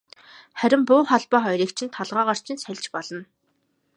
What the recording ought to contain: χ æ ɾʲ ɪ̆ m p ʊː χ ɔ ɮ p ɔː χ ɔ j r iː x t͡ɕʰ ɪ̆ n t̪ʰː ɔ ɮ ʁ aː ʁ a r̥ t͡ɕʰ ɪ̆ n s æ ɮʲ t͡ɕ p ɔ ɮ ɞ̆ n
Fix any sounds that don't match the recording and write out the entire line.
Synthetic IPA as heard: χ æ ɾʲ ɪ̆ m p ʊː χ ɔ ɮ p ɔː χ ɔ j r iː k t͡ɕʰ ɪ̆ n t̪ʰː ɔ ɮ ʁ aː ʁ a r̥ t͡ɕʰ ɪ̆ n s æ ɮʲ t͡ɕ p ɔ ɮ ɞ̆ n